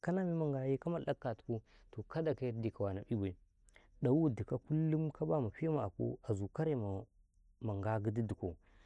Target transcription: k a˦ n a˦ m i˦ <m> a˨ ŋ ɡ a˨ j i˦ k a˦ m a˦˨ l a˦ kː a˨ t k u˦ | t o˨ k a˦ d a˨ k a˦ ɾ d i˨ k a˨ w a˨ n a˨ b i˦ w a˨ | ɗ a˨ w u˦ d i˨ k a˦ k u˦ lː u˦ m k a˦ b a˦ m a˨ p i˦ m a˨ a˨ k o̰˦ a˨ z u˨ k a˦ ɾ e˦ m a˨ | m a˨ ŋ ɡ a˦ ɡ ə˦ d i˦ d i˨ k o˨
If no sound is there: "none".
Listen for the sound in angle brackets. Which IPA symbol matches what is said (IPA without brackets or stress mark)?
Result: m